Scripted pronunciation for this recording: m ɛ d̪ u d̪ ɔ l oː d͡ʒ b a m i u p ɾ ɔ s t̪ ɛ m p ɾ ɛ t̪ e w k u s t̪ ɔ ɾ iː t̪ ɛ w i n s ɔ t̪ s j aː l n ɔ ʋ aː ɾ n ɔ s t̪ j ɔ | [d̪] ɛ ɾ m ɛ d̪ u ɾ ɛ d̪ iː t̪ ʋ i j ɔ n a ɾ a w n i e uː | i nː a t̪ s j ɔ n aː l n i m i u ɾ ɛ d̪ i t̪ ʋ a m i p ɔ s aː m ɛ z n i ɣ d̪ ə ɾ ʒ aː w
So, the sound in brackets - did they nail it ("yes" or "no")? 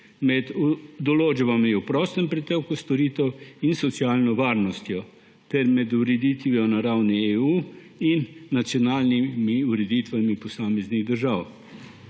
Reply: no